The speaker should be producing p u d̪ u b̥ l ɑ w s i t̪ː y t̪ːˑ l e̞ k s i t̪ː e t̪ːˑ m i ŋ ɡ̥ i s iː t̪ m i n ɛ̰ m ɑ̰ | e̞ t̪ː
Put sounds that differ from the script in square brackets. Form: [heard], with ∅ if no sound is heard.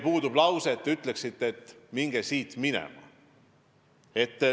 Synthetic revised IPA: p [uː] d̪ u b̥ l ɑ w s [e] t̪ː y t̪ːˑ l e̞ k s i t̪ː e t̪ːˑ m i ŋ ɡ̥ [e] s iː t̪ m i n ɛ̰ m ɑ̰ | e̞ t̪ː